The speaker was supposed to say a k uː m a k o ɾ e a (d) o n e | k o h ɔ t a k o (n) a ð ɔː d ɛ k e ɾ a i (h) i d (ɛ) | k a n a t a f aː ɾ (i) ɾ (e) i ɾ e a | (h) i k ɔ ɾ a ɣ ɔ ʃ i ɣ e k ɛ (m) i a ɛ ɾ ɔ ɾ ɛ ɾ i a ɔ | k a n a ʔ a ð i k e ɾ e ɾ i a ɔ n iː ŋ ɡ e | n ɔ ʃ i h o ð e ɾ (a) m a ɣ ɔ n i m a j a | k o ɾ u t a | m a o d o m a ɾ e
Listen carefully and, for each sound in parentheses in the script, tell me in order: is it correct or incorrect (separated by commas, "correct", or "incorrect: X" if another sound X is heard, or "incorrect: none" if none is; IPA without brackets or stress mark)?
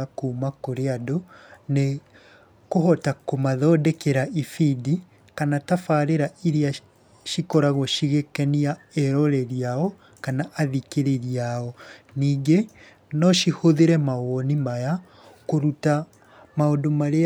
correct, incorrect: m, incorrect: f, incorrect: i, incorrect: e, incorrect: a, incorrect: ʃ, incorrect: n, incorrect: ɛ